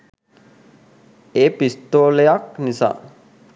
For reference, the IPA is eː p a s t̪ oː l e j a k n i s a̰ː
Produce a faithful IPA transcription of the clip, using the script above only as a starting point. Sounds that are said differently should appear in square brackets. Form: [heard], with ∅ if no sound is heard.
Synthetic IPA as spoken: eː p [i] s t̪ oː l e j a k n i s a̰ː